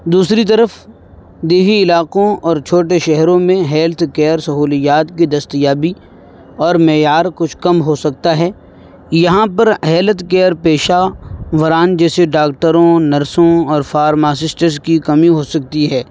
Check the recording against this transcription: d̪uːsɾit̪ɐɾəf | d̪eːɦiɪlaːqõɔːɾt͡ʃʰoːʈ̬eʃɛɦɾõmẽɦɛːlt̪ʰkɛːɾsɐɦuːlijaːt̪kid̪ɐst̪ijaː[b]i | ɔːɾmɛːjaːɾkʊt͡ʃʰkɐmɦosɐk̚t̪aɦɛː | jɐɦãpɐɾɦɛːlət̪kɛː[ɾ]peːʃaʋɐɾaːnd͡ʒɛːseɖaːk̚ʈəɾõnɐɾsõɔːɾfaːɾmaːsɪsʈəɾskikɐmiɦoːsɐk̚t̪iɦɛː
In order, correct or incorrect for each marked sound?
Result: correct, correct

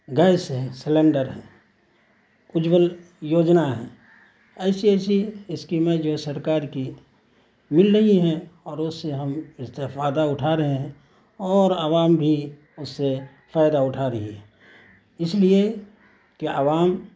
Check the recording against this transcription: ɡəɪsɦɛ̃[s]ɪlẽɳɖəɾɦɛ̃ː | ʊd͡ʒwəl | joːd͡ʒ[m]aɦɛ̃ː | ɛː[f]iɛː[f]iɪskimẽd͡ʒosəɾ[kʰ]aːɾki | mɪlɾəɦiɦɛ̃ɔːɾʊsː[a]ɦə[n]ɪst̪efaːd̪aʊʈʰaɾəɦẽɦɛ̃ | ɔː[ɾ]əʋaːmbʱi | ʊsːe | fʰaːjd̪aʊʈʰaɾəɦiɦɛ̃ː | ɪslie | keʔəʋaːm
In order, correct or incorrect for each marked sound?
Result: correct, incorrect, incorrect, incorrect, incorrect, incorrect, incorrect, correct

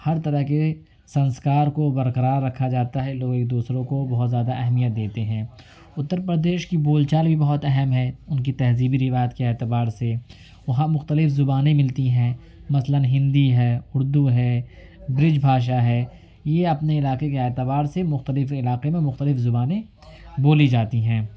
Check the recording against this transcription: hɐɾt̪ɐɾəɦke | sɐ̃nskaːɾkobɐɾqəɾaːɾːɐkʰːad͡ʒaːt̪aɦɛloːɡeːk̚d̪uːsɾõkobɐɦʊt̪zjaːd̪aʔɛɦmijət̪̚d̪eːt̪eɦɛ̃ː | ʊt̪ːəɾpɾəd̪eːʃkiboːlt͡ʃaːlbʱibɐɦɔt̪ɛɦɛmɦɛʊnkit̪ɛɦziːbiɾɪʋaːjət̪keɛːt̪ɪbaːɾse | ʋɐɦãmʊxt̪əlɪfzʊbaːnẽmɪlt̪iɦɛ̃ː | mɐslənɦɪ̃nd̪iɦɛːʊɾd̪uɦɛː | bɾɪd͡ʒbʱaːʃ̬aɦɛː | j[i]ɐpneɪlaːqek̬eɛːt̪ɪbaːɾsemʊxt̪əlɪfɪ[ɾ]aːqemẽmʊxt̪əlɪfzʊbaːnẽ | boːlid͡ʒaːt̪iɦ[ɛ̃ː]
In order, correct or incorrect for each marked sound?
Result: incorrect, incorrect, correct

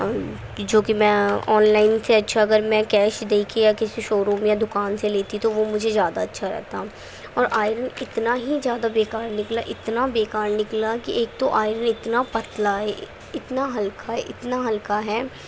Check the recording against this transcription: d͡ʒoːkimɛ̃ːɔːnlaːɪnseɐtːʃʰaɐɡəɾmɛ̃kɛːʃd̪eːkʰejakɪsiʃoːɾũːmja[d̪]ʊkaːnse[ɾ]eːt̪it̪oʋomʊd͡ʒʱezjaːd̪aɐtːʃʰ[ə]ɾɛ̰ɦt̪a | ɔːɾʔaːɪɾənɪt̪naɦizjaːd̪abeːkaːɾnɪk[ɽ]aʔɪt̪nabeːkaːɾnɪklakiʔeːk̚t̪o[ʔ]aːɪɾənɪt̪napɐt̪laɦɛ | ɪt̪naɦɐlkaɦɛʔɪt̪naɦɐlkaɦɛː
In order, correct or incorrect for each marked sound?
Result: correct, incorrect, incorrect, incorrect, correct

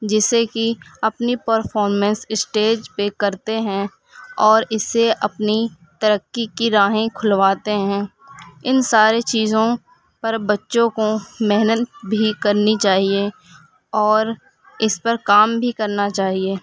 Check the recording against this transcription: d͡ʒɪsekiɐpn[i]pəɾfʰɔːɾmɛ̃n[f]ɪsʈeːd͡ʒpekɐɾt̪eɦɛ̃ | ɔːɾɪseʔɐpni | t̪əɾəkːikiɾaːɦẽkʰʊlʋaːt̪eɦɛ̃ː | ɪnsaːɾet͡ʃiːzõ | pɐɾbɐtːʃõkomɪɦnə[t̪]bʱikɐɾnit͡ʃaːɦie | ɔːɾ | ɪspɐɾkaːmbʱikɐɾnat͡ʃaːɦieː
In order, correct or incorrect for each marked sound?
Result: correct, incorrect, correct

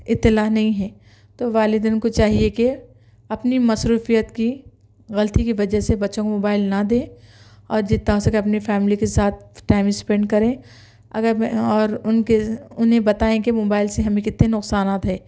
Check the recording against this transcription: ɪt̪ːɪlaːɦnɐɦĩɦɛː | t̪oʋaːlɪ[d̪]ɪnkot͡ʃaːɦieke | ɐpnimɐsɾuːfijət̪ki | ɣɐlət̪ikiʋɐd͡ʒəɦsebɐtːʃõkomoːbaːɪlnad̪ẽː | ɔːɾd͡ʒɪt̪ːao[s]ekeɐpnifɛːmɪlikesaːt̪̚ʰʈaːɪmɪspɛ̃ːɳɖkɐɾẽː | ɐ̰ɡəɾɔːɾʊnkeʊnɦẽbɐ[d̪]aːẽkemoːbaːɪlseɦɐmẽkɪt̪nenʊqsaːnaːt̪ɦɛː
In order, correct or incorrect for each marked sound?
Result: correct, correct, incorrect

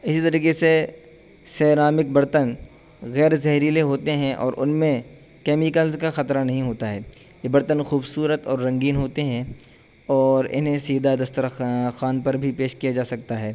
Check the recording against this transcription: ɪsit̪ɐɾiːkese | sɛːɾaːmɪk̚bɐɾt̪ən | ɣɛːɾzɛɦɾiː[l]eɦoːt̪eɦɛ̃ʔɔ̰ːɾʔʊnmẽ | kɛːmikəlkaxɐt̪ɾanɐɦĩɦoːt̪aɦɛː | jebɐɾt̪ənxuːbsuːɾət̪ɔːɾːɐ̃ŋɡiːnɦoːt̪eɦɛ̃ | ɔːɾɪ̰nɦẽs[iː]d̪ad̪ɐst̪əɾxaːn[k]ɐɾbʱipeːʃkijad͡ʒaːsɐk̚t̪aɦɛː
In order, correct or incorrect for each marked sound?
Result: correct, correct, incorrect

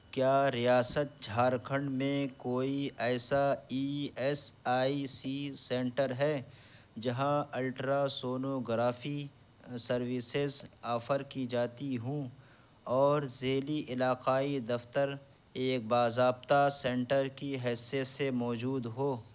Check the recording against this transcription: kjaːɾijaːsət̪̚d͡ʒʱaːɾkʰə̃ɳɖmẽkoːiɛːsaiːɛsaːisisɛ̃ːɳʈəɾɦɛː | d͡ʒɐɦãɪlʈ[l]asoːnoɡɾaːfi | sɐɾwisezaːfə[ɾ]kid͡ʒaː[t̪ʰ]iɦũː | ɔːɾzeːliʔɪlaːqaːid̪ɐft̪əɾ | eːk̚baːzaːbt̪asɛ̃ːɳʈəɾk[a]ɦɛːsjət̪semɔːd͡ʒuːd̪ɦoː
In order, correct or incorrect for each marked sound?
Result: incorrect, correct, incorrect, incorrect

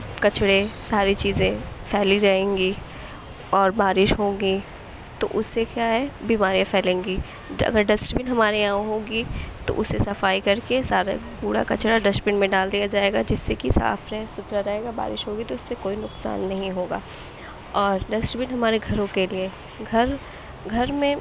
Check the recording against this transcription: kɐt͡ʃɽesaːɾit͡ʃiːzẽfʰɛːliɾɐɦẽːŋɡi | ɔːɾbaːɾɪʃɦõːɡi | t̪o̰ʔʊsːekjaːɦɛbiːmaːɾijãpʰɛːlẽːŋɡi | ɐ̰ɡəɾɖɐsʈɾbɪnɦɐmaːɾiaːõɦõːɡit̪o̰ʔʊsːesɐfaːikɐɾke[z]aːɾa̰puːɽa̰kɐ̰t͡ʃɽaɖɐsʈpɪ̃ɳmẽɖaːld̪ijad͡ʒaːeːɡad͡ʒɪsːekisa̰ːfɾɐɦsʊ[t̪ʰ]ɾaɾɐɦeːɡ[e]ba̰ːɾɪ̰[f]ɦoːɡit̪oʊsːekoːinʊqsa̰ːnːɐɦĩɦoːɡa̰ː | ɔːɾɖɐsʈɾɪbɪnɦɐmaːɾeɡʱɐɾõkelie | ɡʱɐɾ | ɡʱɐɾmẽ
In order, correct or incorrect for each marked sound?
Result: incorrect, incorrect, incorrect, incorrect

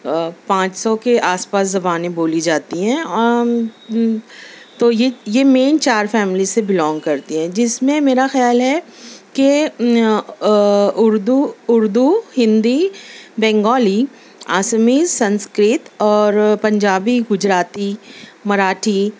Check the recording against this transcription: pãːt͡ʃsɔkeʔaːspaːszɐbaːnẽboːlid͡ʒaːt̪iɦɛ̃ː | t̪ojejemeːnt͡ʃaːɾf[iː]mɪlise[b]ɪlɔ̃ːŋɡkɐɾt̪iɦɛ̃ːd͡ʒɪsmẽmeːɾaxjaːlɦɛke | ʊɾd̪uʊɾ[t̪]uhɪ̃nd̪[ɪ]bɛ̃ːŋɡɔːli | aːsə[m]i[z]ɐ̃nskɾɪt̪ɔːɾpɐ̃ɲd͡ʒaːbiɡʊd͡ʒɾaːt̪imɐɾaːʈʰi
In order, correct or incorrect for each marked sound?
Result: incorrect, correct, incorrect, incorrect, correct, incorrect

